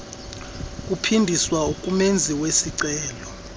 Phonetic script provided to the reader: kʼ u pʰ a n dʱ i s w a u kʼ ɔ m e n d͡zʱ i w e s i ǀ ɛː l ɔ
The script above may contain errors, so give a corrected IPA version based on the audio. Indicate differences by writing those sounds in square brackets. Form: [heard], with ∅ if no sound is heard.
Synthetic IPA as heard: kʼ u pʰ [i] n dʱ i s w a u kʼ [u] m e n d͡zʱ i w e s i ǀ ɛː l ɔ